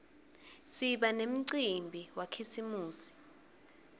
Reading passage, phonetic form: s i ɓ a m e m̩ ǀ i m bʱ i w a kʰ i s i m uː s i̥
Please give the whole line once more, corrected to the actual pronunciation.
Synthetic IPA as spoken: s i ɓ a n e m̩ ǀ i m bʱ i w a kʰ i s i m uː s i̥